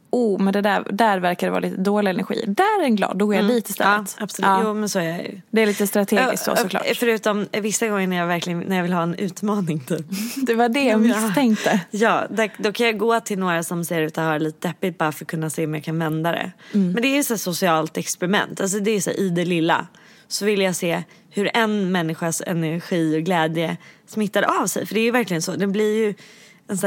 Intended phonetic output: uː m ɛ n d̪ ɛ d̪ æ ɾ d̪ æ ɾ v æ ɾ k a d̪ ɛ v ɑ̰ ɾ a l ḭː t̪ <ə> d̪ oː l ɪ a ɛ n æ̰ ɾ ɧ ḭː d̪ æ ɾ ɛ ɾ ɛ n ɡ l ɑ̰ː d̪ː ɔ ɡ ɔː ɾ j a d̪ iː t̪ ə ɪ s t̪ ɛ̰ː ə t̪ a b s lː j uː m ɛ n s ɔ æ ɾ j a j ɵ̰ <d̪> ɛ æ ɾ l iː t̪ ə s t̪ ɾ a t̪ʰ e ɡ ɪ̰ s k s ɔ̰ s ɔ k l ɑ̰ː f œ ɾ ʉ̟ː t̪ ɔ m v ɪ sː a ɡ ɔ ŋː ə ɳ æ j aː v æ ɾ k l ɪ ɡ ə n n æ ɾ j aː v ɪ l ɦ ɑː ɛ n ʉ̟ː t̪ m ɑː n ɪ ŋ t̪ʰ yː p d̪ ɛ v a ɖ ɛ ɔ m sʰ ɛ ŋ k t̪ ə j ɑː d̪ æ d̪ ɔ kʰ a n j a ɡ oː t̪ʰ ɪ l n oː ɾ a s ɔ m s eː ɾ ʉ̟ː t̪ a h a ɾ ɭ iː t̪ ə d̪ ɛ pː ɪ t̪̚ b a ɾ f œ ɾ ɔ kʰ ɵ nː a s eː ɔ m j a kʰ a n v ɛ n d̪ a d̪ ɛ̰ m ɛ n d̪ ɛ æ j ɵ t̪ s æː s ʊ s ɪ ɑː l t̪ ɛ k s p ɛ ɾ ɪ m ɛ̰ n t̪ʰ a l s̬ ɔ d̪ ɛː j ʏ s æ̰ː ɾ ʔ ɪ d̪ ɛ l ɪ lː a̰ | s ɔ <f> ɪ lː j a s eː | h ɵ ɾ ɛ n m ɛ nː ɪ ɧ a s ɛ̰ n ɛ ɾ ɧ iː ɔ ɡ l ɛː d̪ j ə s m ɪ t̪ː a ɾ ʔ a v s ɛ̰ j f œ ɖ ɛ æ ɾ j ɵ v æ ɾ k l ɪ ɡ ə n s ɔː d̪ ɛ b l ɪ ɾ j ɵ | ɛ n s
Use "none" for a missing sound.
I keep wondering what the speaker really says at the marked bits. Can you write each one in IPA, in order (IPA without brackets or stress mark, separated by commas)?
ə, d̪, v